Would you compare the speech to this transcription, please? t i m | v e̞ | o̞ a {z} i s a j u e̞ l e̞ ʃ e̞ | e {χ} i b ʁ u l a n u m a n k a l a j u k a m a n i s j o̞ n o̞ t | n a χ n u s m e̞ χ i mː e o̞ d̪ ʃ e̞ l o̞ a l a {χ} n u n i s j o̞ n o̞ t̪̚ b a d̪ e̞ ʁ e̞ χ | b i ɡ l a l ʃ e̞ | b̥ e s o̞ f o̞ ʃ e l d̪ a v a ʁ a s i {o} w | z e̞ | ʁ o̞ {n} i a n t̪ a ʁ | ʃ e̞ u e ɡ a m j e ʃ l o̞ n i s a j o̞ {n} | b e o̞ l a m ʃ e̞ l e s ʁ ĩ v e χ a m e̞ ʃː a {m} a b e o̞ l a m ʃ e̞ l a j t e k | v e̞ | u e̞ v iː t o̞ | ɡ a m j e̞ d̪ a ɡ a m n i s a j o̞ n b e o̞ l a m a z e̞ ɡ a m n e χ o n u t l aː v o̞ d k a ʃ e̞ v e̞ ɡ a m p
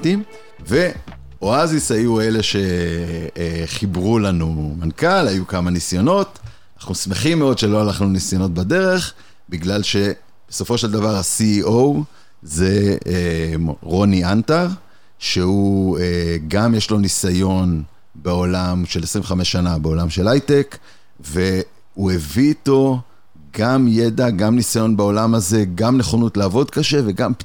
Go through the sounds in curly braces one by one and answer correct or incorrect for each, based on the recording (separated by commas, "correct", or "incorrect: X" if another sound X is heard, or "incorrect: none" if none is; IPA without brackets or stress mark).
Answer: correct, correct, correct, correct, correct, correct, incorrect: n